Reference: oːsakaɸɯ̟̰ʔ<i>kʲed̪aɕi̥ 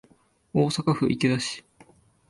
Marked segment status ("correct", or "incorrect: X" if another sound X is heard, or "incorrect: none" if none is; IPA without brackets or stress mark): correct